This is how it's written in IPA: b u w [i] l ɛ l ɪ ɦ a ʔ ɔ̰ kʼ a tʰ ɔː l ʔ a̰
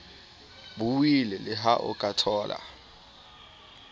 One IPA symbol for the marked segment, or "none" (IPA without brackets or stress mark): i